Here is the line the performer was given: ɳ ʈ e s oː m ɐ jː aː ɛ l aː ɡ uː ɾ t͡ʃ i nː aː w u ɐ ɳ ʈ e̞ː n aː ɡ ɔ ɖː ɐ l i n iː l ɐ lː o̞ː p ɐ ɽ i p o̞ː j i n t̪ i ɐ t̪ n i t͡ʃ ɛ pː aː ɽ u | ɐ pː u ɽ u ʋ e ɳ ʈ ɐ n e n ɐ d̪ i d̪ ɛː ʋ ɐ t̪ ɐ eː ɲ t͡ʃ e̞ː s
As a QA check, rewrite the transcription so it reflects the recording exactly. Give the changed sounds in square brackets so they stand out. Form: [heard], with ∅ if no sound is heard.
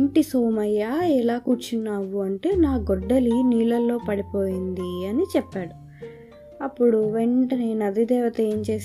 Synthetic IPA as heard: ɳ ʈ [i] s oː m ɐ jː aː ɛ l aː [k] uː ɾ t͡ʃ i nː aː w u ɐ ɳ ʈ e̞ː n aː ɡ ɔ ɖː ɐ l i n iː l ɐ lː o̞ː p ɐ ɽ i p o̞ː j i n [d̪] i ɐ [∅] n i t͡ʃ ɛ pː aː ɽ u | ɐ pː u ɽ u ʋ e ɳ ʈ ɐ n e n ɐ d̪ i d̪ ɛː ʋ ɐ t̪ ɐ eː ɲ t͡ʃ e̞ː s